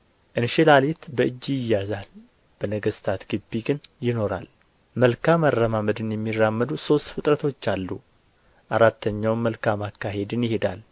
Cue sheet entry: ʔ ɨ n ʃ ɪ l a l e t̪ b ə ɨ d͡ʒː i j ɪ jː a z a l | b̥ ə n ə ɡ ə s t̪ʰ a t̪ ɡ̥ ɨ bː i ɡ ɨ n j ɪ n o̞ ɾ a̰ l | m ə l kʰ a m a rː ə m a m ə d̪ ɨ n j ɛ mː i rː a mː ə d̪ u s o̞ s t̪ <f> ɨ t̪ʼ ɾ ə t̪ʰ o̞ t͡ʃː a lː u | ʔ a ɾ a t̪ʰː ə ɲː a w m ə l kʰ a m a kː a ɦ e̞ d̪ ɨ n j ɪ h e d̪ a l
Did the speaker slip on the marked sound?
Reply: no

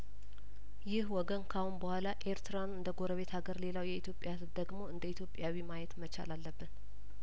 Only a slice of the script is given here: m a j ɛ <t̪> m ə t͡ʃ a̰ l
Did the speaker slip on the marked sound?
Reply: no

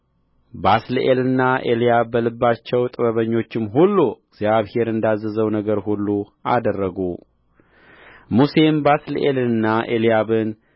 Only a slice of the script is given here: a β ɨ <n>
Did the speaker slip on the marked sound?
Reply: no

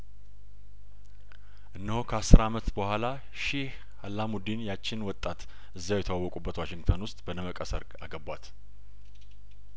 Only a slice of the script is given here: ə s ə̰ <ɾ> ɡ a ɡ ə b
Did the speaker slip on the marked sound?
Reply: no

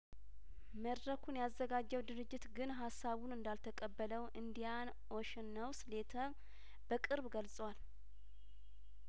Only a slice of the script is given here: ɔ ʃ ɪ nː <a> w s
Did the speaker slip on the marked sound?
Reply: yes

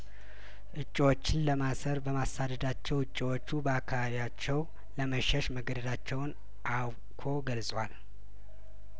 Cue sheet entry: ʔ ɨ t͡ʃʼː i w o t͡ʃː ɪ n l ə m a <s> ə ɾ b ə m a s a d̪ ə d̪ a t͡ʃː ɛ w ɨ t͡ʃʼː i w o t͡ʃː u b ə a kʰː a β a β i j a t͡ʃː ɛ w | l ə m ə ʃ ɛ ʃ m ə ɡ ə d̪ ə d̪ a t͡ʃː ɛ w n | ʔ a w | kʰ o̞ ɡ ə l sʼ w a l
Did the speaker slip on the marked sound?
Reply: no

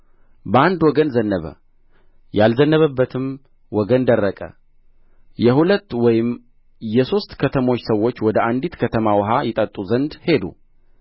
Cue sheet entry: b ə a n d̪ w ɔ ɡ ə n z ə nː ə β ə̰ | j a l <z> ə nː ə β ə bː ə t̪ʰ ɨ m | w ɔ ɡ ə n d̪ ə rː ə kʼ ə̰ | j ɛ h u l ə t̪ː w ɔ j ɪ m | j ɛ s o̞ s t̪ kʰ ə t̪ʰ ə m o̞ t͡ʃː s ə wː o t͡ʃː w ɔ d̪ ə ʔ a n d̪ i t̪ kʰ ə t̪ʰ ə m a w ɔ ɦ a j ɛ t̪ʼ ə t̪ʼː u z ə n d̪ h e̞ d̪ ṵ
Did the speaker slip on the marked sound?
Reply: no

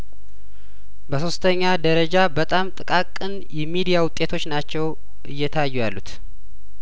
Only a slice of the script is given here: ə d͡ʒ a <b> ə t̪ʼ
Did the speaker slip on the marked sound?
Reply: no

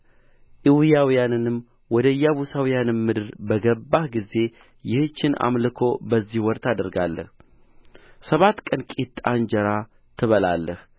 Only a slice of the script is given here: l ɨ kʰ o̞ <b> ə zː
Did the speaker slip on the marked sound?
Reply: no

